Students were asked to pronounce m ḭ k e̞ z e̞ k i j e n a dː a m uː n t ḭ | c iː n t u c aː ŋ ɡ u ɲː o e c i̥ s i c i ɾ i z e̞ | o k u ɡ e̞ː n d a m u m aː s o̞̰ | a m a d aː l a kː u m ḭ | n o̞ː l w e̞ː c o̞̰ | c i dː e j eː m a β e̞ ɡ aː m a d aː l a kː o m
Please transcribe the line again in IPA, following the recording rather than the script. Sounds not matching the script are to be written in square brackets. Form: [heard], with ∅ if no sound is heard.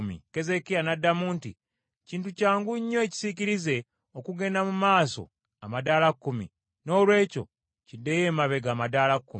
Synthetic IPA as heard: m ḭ k e̞ z e̞ k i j [a] n a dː a m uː n t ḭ | c iː n t u c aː ŋ ɡ u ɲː o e c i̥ s i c i ɾ i z e̞ | o k u ɡ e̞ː n d a m u m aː s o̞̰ | a m a d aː l a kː u m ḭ | n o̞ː l w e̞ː c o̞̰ | c i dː e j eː m a β e̞ ɡ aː m a d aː l a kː [u] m